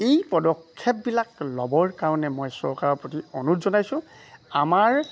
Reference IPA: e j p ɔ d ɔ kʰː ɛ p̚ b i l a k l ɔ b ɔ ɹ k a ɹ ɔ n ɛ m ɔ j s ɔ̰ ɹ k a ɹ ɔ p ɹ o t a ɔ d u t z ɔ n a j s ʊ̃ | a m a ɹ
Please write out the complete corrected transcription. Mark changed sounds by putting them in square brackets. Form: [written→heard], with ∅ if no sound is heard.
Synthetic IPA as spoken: e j p ɔ d ɔ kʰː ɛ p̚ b i l a k l ɔ b ɔ ɹ k a ɹ ɔ n ɛ m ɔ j s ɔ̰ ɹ k a ɹ ɔ p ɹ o t [a→i] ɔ [d→n] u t z ɔ n a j s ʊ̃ | a m a ɹ